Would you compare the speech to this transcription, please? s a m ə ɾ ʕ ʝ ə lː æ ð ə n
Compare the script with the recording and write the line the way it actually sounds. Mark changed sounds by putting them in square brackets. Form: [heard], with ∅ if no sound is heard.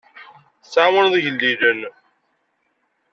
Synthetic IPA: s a m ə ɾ [ð] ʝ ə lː [i] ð ə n

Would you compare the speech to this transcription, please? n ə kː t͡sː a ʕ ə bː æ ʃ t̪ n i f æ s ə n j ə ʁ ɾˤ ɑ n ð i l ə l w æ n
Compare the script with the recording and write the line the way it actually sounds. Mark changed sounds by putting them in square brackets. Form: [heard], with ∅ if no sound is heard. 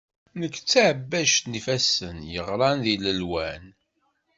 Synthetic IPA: n ə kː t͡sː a ʕ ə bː æ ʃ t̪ n i f æ s ə n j ə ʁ ɾˤ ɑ n ð i l ə l w æ n

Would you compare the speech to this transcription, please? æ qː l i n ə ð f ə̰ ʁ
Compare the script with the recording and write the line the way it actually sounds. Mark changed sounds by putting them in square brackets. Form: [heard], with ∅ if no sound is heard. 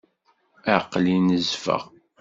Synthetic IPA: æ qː l i n ə [z] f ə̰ ʁ

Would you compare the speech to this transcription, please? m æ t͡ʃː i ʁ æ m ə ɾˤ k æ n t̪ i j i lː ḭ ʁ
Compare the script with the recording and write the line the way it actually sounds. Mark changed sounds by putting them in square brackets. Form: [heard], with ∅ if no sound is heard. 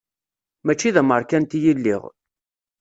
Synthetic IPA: m æ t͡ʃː i [ð] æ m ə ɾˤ k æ n t̪ i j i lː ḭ ʁ

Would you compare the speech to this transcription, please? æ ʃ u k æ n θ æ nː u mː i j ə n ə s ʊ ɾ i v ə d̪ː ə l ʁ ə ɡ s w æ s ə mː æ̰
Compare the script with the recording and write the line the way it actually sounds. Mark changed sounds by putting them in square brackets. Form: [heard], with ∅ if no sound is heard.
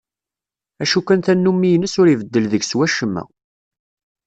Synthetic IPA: æ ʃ u k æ n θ æ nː u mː i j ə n ə s ʊ ɾ i v ə d̪ː ə l [ð] ə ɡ s w æ [ʃ] ə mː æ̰

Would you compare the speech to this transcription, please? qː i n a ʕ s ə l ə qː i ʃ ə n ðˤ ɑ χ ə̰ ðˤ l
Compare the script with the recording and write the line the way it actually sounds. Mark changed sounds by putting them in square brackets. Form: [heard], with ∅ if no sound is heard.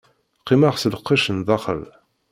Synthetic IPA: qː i [m] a [ʁ] s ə l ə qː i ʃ ə n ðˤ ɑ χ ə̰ [∅] l

